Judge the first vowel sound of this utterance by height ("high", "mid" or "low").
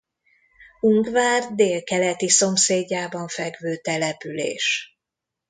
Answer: high